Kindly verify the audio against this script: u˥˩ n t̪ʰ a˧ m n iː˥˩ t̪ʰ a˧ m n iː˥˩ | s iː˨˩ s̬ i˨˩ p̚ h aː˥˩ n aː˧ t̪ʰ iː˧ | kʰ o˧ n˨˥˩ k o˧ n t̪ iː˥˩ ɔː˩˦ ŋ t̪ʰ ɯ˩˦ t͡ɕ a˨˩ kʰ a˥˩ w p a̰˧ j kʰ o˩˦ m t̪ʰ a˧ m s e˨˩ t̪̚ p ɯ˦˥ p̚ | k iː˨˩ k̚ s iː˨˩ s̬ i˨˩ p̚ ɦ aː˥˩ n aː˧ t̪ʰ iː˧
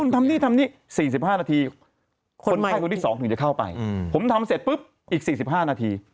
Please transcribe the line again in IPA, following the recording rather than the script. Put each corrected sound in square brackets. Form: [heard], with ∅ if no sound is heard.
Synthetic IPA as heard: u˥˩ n t̪ʰ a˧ m n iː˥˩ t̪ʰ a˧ m n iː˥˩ | s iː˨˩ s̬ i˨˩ p̚ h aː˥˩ n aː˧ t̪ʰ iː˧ | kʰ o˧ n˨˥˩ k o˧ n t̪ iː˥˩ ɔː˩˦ ŋ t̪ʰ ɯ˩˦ t͡ɕ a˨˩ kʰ a˥˩ w p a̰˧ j [pʰ] o˩˦ m t̪ʰ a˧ m s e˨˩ t̪̚ p ɯ˦˥ p̚ | [ʔ] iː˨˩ k̚ s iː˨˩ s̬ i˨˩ p̚ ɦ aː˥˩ n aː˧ t̪ʰ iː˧